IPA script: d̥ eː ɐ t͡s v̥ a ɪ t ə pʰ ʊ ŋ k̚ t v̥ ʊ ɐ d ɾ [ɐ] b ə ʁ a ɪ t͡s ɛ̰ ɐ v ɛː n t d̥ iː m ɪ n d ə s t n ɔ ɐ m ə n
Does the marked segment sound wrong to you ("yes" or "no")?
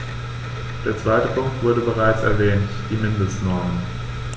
yes